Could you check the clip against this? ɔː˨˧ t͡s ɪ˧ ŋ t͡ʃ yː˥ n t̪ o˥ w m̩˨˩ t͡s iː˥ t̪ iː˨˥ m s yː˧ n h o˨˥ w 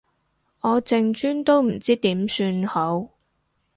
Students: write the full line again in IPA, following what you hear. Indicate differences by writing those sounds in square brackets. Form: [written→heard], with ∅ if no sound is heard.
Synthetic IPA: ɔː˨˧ t͡s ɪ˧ ŋ t͡ʃ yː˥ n t̪ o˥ w m̩˨˩ t͡s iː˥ t̪ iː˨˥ m s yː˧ n h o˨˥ w